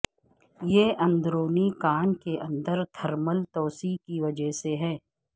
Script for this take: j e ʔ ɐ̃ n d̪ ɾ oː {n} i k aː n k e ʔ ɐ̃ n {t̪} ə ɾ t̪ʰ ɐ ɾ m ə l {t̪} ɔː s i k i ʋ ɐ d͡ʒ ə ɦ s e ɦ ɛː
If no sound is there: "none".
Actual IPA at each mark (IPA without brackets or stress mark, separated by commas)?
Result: n, d̪, t̪